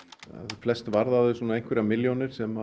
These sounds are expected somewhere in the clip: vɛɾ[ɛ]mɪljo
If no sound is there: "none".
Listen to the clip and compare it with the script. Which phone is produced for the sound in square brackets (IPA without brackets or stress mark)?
a